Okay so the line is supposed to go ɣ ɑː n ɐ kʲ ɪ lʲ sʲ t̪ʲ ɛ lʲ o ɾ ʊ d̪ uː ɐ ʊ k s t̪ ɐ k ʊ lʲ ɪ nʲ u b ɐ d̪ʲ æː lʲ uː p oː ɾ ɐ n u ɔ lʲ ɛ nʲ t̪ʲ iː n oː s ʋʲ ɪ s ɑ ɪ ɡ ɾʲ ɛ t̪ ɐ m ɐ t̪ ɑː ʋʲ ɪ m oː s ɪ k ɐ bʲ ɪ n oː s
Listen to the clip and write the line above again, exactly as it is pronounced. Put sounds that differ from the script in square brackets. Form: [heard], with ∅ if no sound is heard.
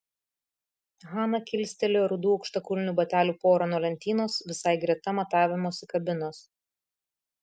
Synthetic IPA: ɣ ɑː n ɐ kʲ ɪ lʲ sʲ t̪ʲ ɛ lʲ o ɾ ʊ d̪ uː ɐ ʊ k [ʃ] t̪ ɐ k ʊ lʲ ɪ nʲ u b ɐ [t̪ʲ] æː lʲ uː p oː ɾ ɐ n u ɔ lʲ ɛ nʲ t̪ʲ iː n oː s ʋʲ ɪ s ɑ ɪ ɡ ɾʲ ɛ t̪ ɐ m ɐ t̪ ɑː ʋʲ ɪ m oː s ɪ k ɐ bʲ ɪ n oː s